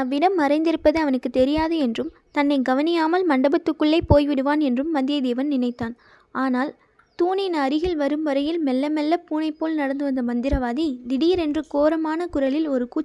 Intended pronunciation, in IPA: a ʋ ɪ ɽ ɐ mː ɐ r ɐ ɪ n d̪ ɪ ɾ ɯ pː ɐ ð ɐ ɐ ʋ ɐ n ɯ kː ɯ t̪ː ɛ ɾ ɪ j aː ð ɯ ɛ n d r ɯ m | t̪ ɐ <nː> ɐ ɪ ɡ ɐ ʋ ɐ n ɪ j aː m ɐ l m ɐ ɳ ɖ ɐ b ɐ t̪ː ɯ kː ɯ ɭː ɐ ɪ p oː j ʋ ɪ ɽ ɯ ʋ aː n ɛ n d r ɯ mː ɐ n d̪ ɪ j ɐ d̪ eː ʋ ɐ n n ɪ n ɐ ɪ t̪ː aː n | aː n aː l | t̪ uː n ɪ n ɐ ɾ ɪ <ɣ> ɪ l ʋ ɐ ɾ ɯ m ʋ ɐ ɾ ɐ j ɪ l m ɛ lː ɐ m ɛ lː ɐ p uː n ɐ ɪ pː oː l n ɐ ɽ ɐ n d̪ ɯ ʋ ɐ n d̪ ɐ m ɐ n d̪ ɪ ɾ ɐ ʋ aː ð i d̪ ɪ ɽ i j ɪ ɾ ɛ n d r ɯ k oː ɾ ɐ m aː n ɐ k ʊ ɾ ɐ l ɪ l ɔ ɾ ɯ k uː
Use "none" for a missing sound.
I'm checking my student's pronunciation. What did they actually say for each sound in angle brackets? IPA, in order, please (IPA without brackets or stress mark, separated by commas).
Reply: nː, ɣ